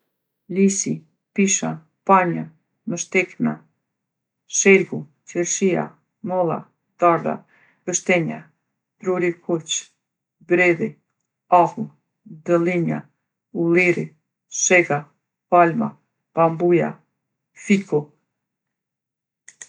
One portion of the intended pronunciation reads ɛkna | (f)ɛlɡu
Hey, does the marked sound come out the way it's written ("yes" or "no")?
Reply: no